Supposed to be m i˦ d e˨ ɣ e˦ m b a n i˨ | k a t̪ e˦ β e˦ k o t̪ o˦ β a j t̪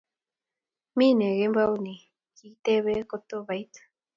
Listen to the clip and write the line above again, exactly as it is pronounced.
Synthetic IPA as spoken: m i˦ n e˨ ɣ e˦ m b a n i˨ | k i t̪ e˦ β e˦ k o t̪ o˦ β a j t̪